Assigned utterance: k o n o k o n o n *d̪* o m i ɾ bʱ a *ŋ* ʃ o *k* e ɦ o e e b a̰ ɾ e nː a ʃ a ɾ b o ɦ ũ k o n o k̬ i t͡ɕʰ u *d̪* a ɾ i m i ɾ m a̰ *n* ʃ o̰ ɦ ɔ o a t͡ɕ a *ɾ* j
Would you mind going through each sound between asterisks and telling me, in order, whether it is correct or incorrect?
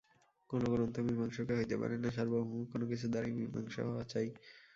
incorrect, correct, correct, correct, incorrect, incorrect

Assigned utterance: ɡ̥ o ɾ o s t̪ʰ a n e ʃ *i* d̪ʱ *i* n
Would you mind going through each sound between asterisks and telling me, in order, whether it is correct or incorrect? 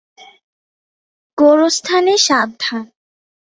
incorrect, incorrect

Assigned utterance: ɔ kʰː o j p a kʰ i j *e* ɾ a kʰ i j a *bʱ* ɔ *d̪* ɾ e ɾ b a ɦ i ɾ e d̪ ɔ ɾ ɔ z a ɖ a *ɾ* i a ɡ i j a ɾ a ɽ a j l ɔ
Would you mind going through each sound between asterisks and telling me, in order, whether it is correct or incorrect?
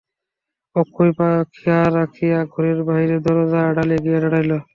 incorrect, incorrect, incorrect, incorrect

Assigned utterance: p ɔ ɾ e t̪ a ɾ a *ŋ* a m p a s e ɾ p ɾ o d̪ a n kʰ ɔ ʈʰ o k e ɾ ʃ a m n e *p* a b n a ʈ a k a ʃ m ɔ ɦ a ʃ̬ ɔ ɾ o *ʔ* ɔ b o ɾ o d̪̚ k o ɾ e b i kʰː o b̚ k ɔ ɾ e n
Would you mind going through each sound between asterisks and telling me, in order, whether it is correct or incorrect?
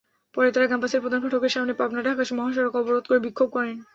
incorrect, correct, incorrect

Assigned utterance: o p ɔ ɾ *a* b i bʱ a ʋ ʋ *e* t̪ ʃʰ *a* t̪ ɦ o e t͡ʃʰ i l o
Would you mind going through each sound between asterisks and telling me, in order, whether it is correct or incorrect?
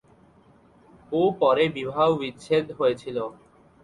incorrect, incorrect, incorrect

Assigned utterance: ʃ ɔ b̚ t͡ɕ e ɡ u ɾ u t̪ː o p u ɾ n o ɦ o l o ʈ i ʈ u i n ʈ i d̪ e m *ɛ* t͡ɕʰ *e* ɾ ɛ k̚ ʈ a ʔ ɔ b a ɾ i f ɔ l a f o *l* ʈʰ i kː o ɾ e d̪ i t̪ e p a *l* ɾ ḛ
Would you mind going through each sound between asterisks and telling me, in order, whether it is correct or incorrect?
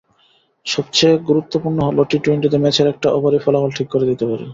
correct, correct, correct, incorrect

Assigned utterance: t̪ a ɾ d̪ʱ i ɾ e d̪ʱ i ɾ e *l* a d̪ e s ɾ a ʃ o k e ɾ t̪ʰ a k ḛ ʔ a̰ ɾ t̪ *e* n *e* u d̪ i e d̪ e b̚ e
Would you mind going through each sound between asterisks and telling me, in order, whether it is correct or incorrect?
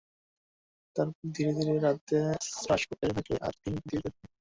incorrect, incorrect, incorrect

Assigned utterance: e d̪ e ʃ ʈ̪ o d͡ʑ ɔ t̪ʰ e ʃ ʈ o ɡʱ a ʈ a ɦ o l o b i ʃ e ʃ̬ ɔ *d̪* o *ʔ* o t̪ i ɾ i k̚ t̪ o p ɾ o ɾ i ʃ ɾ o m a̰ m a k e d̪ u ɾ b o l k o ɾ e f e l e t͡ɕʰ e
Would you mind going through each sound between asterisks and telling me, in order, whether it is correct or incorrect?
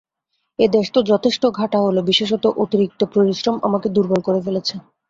incorrect, correct

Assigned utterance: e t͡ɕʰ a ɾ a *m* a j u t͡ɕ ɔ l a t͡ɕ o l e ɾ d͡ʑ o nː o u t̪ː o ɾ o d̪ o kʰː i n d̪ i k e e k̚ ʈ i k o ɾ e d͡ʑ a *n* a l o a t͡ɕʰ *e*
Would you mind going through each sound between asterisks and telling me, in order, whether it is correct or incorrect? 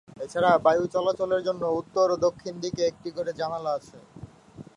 incorrect, correct, correct

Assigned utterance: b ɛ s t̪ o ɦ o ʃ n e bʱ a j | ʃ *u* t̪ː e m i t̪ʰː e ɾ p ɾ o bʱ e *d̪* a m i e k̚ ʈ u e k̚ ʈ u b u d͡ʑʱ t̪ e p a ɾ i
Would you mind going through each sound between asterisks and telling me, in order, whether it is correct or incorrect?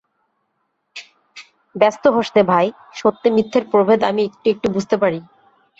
incorrect, correct

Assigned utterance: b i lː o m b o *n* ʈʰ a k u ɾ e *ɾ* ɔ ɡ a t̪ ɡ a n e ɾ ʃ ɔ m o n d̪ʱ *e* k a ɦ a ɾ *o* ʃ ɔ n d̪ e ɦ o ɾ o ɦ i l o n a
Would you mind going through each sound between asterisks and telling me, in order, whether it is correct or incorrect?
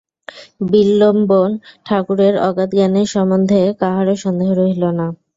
correct, correct, correct, correct

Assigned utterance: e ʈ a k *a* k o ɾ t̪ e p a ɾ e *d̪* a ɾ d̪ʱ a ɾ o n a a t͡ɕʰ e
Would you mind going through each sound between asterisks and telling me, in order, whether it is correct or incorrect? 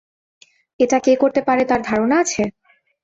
incorrect, incorrect

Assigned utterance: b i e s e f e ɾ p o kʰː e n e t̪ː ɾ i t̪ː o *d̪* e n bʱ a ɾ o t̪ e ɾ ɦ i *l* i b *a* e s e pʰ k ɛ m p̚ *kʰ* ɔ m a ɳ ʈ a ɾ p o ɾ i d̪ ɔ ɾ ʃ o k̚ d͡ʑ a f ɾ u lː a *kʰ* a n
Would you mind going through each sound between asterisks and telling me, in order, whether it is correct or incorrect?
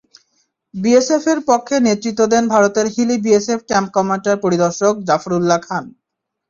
correct, correct, incorrect, incorrect, correct

